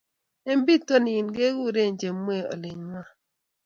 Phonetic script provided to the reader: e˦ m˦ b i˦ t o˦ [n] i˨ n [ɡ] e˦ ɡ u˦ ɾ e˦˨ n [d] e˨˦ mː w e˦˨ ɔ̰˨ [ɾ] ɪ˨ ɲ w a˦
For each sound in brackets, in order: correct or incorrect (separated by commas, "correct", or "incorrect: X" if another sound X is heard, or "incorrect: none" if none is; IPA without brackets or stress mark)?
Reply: correct, correct, incorrect: d͡ʒ, incorrect: l